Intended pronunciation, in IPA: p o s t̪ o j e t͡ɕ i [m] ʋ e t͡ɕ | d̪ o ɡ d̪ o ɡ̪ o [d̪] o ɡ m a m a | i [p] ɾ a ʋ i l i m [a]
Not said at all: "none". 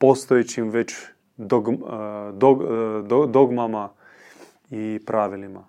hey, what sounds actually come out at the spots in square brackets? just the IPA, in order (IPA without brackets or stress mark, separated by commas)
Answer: m, d̪, p, a